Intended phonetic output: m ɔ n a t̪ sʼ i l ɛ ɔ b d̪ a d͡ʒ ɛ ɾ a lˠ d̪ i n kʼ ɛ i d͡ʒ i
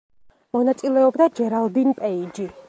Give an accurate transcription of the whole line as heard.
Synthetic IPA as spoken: m ɔ n a t̪ sʼ i l ɛ ɔ b d̪ a d͡ʒ ɛ ɾ a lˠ d̪ i n pʼ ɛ i d͡ʒ i